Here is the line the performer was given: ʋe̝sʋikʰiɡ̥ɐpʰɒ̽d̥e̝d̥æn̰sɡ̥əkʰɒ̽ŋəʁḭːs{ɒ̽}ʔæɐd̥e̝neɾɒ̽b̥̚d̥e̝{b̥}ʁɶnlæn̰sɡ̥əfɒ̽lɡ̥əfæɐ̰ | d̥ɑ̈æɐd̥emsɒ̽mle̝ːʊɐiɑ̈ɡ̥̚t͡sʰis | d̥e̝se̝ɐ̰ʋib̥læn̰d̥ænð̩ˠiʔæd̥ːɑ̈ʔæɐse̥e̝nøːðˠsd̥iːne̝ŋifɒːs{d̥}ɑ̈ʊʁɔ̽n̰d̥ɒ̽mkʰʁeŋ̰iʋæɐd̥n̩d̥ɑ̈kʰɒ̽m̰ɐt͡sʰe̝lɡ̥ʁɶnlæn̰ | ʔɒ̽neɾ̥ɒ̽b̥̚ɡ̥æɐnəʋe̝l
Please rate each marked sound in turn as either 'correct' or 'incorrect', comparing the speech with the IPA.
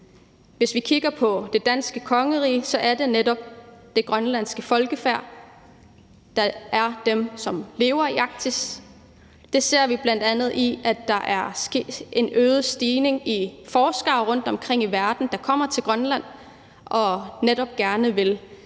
correct, incorrect: ɡ̥, incorrect: ɡ̥

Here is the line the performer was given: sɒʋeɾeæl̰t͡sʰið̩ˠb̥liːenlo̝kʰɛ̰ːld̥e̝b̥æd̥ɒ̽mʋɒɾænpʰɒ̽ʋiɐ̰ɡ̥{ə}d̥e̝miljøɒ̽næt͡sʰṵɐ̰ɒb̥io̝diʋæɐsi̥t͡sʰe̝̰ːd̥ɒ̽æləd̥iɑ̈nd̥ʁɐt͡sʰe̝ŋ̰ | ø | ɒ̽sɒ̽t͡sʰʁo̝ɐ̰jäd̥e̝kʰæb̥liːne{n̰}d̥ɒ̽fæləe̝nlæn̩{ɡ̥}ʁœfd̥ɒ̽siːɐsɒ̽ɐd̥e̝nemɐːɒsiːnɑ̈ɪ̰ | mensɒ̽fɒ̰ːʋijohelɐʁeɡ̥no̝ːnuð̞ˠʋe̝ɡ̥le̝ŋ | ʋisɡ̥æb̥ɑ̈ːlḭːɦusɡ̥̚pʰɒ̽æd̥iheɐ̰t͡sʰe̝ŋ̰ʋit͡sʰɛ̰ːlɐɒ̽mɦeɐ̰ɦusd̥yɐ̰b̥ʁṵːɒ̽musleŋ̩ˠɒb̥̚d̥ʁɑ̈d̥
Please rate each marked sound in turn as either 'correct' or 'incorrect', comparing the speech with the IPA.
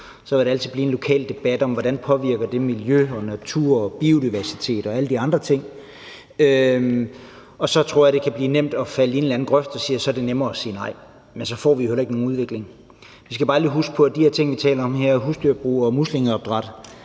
incorrect: ɐ, incorrect: m̰, correct

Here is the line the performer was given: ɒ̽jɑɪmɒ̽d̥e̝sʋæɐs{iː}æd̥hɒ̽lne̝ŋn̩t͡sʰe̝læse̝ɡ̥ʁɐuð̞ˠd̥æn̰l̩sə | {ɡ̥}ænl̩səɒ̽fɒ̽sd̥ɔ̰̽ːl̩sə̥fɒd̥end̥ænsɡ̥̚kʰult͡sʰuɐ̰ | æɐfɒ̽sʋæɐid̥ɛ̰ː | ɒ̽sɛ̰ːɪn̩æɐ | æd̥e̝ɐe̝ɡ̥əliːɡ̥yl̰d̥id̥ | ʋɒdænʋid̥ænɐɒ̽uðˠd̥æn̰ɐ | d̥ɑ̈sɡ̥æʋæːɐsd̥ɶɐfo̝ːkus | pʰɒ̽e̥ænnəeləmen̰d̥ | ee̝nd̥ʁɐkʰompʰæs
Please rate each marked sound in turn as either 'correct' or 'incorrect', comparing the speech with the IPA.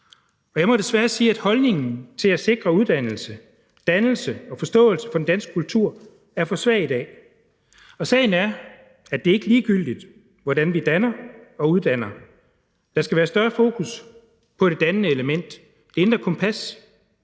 correct, incorrect: d̥

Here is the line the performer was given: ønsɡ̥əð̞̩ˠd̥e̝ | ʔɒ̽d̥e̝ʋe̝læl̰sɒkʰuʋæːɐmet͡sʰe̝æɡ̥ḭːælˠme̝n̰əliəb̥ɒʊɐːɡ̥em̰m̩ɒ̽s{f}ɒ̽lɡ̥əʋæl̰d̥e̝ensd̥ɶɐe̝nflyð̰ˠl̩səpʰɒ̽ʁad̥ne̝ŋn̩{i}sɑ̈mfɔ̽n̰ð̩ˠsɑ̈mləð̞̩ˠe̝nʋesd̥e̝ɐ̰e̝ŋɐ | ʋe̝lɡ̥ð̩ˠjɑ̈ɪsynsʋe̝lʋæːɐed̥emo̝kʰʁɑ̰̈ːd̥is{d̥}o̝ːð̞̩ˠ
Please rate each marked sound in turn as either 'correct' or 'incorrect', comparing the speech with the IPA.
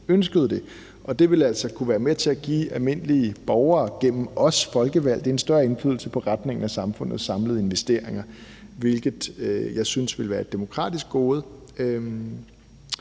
correct, incorrect: æ, incorrect: ɡ̥

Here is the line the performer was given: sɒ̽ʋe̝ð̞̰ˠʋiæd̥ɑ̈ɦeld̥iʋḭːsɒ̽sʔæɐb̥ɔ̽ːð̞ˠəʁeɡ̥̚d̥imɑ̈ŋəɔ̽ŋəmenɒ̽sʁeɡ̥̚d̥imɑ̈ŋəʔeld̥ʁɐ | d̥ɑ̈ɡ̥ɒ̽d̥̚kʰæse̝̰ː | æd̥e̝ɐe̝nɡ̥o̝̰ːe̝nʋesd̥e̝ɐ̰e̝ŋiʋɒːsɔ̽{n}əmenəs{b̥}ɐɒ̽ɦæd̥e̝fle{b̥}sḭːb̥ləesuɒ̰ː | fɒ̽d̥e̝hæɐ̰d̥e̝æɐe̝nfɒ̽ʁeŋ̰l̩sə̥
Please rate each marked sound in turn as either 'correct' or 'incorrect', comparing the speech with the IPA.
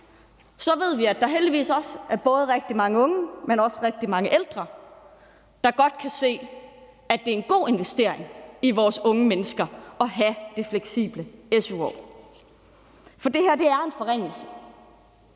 incorrect: ŋ, incorrect: ɡ̥, incorrect: ɡ̥

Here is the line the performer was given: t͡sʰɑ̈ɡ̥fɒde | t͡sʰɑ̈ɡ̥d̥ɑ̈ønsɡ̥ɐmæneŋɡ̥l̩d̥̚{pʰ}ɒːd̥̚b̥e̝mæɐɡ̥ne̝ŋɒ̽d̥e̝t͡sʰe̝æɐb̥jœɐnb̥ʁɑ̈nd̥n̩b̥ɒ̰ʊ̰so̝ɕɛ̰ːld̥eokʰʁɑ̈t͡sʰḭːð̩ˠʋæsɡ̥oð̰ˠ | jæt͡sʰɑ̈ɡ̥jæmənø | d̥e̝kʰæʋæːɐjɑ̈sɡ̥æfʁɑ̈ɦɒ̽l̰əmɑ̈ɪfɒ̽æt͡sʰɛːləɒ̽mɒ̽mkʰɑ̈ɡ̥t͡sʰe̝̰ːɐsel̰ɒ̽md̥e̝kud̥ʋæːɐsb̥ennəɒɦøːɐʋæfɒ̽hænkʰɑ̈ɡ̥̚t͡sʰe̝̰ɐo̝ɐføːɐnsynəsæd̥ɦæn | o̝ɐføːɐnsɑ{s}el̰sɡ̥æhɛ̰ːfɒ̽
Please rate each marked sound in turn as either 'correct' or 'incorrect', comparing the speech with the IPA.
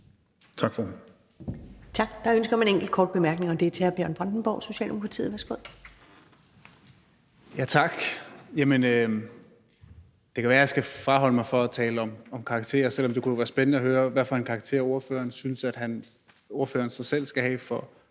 incorrect: kʰ, correct

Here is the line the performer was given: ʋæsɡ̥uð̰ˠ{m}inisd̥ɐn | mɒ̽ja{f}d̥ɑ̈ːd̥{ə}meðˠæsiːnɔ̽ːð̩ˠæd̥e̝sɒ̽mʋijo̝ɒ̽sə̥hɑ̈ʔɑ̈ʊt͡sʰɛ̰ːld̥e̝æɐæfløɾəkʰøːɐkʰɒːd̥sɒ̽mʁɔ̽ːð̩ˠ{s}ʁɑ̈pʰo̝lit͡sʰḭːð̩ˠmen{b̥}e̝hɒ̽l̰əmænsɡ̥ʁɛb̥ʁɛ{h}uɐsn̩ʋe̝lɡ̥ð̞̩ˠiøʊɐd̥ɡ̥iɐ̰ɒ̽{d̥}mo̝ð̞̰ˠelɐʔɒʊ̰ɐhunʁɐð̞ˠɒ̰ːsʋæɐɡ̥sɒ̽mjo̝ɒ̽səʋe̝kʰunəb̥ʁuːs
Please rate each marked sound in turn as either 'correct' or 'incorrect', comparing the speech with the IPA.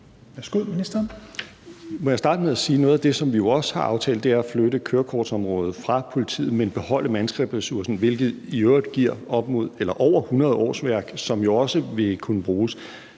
correct, incorrect: s, correct, incorrect: f, correct, incorrect: s, incorrect: b̥

